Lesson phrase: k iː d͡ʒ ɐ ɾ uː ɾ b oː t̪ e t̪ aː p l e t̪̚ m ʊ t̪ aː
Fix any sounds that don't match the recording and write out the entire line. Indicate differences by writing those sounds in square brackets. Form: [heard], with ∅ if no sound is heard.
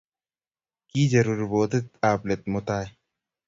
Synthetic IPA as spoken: k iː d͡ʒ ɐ ɾ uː ɾ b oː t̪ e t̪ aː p l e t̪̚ m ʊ t̪ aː